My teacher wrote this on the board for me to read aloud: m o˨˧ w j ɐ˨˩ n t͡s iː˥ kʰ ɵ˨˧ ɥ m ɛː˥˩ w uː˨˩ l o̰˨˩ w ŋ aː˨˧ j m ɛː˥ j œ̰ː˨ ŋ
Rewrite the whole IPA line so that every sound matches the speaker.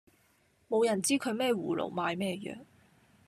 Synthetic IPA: m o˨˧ w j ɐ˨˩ n t͡s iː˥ kʰ ɵ˨˧ ɥ m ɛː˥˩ w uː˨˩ l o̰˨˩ w m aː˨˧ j m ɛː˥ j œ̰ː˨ ŋ